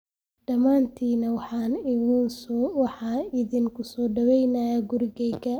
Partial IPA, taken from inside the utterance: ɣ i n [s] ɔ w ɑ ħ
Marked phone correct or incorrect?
correct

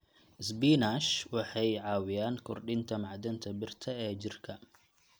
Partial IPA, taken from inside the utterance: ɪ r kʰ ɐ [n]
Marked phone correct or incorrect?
incorrect: none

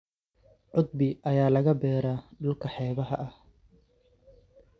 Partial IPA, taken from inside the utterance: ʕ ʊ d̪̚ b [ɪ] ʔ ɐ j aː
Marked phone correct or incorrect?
correct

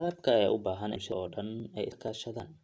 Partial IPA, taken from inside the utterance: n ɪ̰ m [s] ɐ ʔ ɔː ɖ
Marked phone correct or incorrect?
incorrect: ʃ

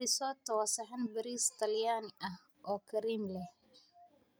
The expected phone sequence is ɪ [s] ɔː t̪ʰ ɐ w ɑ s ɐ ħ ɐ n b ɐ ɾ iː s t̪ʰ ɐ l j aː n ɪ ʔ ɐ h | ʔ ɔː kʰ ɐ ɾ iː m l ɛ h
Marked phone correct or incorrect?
correct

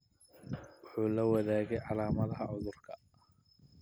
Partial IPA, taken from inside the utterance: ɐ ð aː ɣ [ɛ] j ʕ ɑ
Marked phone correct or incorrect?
correct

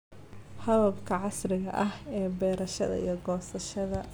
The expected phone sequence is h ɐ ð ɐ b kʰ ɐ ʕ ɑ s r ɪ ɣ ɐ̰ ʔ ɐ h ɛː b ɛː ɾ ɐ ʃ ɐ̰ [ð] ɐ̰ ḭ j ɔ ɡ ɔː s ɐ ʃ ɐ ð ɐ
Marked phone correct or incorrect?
correct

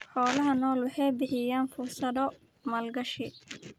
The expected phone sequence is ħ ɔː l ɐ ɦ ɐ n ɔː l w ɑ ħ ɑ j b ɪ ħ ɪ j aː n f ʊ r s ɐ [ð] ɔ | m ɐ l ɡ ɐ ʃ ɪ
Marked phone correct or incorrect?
correct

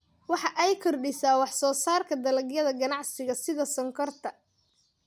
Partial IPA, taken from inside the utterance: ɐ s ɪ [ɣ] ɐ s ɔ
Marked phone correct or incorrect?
incorrect: ð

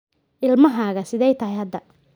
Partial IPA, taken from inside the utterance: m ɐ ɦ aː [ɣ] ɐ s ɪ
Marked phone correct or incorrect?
correct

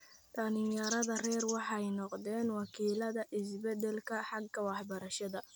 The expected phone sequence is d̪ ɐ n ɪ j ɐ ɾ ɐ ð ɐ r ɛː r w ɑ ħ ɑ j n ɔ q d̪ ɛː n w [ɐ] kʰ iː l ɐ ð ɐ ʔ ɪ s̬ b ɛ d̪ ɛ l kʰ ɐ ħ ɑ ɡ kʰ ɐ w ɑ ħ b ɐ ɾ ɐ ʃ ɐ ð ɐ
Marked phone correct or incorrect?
incorrect: ɑ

